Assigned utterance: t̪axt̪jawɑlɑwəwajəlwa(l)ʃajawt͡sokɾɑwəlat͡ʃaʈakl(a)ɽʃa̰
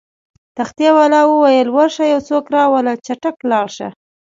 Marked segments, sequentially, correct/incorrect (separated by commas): incorrect, incorrect